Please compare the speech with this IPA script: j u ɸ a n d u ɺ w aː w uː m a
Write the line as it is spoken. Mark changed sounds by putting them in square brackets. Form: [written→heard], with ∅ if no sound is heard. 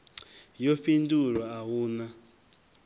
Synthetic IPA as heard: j [u→o] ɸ [a→i] n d u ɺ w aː w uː [m→n] a